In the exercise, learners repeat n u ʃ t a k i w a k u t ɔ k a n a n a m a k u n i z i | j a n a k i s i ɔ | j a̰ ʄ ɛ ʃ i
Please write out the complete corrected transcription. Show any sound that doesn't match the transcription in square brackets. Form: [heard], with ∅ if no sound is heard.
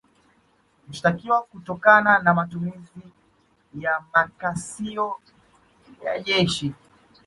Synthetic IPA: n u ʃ t a k i w a k u t ɔ k a n a n a m a [t] u [m] i z i | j a [m] a k [a] s i ɔ | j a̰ ʄ ɛ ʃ i